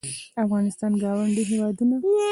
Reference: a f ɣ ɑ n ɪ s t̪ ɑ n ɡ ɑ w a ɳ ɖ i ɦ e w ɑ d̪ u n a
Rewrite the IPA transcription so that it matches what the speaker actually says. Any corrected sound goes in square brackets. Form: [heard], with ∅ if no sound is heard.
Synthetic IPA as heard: a f ɣ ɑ n ɪ s t̪ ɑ n ɡ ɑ w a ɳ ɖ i ɦ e w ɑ d̪ u n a